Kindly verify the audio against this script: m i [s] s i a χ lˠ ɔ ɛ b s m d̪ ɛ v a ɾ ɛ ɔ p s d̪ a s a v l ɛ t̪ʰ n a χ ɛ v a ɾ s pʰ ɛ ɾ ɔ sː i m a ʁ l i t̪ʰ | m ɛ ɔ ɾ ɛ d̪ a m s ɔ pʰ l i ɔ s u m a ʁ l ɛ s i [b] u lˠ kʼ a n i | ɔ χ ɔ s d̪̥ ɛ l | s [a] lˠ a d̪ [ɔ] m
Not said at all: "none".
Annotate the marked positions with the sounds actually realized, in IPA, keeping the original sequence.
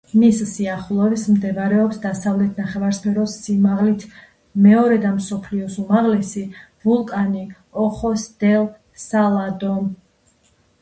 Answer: s, v, a, ɔ

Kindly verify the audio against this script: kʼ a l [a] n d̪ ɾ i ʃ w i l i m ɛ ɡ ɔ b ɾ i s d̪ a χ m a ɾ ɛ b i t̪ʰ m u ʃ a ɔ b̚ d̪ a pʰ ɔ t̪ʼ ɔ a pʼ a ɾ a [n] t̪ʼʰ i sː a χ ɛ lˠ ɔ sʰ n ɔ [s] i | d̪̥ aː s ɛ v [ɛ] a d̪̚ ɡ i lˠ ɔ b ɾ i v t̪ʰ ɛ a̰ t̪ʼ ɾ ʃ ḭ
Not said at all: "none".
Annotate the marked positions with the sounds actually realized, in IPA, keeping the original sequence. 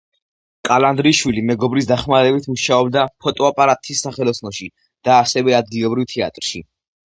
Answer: a, none, ʃ, ɛ

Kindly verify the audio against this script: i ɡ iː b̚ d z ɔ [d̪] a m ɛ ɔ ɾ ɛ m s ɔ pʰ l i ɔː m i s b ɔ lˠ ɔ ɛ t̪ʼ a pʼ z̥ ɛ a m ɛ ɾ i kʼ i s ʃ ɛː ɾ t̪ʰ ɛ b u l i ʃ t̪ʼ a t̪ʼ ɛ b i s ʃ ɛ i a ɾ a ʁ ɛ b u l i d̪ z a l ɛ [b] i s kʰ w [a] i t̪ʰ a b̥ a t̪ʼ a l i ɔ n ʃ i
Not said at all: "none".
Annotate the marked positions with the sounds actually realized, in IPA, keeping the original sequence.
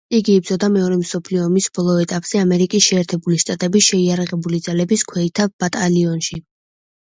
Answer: d̪, b, ɛ

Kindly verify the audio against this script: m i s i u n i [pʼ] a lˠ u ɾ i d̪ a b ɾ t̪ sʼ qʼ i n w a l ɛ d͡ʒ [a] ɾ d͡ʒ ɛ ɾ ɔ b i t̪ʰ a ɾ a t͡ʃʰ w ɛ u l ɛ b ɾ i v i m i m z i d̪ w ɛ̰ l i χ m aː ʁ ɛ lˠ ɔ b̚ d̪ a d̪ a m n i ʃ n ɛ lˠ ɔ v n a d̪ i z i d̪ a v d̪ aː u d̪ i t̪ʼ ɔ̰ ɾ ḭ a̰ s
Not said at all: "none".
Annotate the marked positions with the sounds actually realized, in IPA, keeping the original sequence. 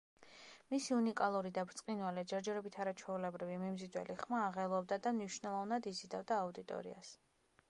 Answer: kʼ, ɛ

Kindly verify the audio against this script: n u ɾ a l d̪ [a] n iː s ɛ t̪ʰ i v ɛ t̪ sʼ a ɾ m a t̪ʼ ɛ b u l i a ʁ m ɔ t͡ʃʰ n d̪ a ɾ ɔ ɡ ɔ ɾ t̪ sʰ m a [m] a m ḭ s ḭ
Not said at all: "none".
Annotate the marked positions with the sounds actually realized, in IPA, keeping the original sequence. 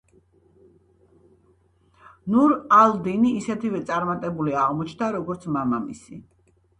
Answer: i, m

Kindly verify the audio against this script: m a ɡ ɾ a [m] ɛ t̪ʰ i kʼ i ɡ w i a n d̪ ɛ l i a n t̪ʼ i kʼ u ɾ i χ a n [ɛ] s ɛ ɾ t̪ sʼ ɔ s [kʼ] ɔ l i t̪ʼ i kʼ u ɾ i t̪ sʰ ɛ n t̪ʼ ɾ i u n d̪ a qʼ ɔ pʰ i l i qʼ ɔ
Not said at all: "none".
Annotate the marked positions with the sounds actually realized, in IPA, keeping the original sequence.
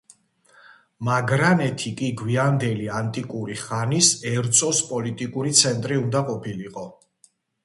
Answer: n, i, pʼ

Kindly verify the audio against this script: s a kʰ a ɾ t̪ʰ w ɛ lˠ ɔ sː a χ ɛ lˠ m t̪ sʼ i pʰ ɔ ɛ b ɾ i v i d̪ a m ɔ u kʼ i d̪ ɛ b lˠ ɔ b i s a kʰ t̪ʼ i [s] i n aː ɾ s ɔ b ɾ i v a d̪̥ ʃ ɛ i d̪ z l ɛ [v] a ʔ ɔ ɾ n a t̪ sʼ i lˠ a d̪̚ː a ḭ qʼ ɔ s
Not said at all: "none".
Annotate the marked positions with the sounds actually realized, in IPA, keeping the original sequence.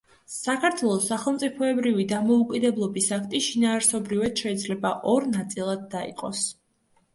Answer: ʃ, b

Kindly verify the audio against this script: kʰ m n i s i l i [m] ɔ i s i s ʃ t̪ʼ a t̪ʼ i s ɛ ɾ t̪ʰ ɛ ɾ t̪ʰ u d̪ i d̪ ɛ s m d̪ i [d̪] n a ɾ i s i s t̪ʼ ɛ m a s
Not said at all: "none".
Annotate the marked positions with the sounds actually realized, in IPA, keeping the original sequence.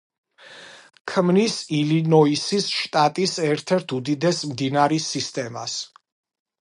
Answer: n, none

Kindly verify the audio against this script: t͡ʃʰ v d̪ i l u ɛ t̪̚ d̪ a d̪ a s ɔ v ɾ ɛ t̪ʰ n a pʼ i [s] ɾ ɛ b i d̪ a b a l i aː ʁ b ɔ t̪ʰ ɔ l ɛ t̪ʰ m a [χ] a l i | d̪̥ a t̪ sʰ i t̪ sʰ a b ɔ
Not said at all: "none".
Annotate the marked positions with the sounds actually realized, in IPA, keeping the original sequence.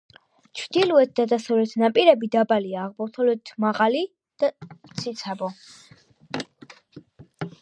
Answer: none, ʁ

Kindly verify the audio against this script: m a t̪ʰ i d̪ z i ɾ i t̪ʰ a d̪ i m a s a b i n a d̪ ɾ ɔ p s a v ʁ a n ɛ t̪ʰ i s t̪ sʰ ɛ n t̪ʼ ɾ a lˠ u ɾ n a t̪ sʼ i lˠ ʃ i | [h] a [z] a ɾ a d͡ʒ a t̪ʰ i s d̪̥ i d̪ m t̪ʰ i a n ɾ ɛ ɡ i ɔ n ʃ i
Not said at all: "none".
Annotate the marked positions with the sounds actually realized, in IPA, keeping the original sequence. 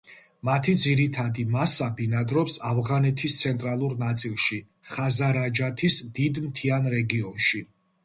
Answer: χ, z

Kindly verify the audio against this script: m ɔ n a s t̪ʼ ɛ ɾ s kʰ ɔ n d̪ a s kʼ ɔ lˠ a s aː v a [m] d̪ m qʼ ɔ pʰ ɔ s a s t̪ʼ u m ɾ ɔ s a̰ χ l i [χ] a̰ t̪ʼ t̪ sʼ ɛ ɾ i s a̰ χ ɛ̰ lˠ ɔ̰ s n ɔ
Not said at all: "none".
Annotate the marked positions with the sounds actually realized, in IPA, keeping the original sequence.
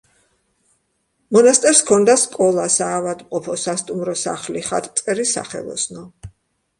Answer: none, χ

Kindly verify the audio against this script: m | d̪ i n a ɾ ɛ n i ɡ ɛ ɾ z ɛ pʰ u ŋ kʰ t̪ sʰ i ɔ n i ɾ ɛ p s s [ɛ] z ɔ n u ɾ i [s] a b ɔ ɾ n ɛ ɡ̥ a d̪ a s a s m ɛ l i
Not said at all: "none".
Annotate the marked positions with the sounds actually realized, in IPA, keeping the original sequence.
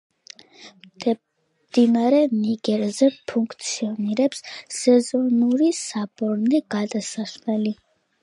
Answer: ɛ, s

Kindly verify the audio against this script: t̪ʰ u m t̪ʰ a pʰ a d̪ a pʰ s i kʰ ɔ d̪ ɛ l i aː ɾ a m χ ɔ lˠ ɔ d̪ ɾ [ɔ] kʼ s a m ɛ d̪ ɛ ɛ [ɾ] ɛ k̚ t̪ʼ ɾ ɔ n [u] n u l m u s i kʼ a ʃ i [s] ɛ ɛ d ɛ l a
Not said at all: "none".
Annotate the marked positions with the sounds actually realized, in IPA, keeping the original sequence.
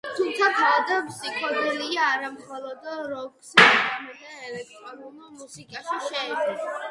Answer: ɔ, l, u, ʃ

